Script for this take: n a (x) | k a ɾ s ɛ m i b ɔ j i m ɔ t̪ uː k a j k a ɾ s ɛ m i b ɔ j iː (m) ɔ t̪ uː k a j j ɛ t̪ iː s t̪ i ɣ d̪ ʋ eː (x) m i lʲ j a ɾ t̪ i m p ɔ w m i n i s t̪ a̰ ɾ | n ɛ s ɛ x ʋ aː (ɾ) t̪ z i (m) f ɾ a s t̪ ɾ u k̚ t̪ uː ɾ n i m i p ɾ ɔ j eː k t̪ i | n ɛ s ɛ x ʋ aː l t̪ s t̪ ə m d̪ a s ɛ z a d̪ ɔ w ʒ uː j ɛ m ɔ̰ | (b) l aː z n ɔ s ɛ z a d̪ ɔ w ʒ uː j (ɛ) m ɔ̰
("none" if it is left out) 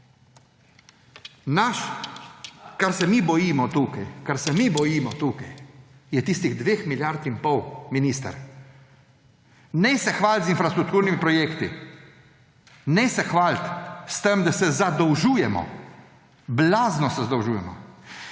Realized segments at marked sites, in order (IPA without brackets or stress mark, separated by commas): ʃ, m, x, l, n, b, ɛ